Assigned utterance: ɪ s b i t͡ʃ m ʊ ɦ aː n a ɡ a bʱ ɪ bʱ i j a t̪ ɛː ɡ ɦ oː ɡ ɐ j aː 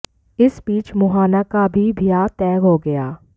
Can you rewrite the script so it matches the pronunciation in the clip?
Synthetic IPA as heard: ɪ s b iː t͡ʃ m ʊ ɦ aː n a k a bʱ i bʱ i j a t̪ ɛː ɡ ɦ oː ɡ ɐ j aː